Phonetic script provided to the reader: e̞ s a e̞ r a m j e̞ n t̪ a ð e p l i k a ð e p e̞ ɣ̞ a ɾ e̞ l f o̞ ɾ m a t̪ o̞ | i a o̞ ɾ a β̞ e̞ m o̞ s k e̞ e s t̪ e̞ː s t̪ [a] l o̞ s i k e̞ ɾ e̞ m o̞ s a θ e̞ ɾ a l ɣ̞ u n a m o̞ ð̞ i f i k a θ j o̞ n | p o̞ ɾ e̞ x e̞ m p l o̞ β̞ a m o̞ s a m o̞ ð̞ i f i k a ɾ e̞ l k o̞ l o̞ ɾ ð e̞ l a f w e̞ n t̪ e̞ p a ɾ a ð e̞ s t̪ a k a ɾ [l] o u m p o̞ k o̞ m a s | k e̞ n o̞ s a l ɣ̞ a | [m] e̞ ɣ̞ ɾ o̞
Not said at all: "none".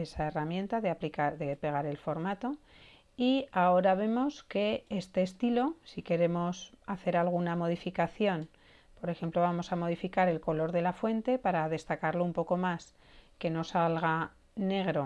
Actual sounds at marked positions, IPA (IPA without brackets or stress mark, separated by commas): i, l, n